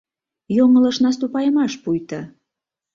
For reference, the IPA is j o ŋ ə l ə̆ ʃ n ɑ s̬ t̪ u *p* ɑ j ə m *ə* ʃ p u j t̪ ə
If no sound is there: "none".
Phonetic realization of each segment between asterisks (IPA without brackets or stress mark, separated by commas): p, ɑ